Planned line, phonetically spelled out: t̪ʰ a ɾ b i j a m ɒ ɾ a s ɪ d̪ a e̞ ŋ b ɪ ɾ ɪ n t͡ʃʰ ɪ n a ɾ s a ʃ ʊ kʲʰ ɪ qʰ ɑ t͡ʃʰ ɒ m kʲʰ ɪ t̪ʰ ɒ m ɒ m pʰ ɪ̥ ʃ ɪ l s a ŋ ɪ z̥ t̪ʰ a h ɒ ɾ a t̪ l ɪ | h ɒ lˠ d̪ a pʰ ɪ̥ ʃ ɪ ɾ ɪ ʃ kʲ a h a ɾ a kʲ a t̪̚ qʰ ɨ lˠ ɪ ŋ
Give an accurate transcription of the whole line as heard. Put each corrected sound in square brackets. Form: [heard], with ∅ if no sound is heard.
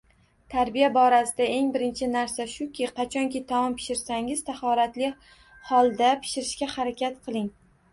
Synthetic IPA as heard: t̪ʰ a ɾ b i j a [b] ɒ ɾ a s ɪ d̪ a e̞ ŋ b ɪ ɾ ɪ n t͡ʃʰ ɪ n a ɾ s a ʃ ʊ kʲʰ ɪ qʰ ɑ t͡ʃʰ ɒ [ŋ] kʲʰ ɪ t̪ʰ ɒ m ɒ m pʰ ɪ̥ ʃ ɪ [ɾ] s a ŋ ɪ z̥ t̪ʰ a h ɒ ɾ a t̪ l ɪ | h ɒ lˠ d̪ a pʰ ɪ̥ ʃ ɪ ɾ ɪ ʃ kʲ a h a ɾ a kʲ a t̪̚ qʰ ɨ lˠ ɪ ŋ